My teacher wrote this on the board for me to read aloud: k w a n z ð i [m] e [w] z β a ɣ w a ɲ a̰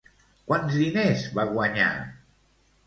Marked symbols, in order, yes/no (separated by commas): no, no